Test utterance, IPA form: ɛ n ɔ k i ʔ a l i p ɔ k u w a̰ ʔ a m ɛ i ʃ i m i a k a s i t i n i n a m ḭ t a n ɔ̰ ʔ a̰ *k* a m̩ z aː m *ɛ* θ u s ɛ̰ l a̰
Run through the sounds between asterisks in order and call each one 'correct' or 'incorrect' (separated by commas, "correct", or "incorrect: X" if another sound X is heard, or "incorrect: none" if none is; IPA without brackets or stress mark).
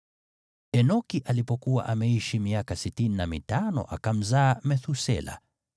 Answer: correct, correct